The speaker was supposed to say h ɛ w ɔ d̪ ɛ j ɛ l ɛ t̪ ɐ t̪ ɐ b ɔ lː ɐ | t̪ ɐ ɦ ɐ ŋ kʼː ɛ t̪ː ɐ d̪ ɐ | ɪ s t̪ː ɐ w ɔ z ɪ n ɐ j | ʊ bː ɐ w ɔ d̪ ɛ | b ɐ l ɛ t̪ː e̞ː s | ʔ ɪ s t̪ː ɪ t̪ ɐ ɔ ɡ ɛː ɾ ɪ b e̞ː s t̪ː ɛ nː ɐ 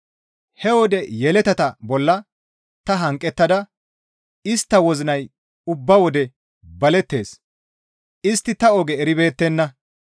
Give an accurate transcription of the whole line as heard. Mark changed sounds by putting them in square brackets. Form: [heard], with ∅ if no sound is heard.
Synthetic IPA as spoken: h ɛ w ɔ d̪ ɛ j ɛ l ɛ t̪ ɐ t̪ ɐ b ɔ lː ɐ | t̪ ɐ ɦ ɐ ŋ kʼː ɛ t̪ː ɐ d̪ ɐ | ɪ s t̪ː ɐ w ɔ z ɪ n ɐ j | ʊ bː ɐ w ɔ d̪ ɛ | b ɐ l ɛ t̪ː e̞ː s | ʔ ɪ s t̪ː ɪ t̪ ɐ ɔ ɡ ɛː ɾ ɪ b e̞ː [∅] t̪ː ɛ nː ɐ

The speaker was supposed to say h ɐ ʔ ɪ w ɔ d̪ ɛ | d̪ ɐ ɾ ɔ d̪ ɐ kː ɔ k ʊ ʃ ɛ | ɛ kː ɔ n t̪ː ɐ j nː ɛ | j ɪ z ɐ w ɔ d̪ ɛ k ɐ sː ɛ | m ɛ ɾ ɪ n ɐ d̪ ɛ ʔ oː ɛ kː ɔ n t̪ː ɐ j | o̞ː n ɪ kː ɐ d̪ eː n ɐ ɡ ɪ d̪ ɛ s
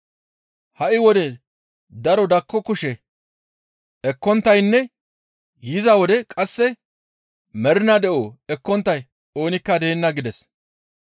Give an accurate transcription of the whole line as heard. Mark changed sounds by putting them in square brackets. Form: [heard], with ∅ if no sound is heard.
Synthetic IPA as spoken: h ɐ ʔ ɪ w ɔ d̪ ɛ | d̪ ɐ ɾ ɔ d̪ ɐ kː ɔ k ʊ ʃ ɛ | ɛ kː ɔ n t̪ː ɐ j nː ɛ | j ɪ z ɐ w ɔ d̪ ɛ [kʼ] ɐ sː ɛ | m ɛ ɾ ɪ n ɐ d̪ ɛ ʔ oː ɛ kː ɔ n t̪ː ɐ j | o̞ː n ɪ kː ɐ d̪ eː [nː] ɐ ɡ ɪ d̪ ɛ s

